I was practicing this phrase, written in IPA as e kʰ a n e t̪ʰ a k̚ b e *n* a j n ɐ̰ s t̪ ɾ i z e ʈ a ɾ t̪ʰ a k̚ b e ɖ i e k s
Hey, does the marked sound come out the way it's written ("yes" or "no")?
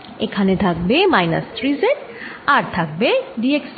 no